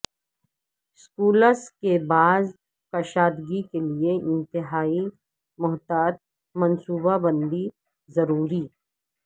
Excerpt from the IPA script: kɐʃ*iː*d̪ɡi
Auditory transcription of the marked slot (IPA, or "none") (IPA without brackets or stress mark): aː